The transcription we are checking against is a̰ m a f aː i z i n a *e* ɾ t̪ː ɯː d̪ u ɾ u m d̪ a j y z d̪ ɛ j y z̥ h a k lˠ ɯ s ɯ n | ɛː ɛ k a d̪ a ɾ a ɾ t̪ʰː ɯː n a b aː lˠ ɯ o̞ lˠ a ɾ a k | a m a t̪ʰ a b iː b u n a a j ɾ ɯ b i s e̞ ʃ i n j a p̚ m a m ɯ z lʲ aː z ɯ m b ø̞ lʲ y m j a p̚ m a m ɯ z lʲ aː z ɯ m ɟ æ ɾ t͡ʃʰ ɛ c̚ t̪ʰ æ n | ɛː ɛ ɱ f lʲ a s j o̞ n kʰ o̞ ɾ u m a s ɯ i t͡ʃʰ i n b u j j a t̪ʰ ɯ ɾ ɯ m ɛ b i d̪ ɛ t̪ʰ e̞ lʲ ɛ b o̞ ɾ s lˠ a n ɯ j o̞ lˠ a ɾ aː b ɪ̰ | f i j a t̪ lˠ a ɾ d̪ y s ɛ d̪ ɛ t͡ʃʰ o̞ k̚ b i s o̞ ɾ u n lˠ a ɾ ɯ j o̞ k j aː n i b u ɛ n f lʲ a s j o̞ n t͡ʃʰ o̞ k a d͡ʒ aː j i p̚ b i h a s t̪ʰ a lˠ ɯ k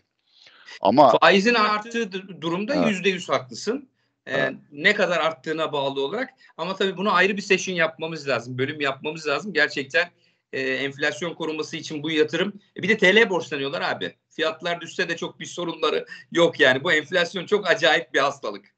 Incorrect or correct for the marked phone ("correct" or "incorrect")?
incorrect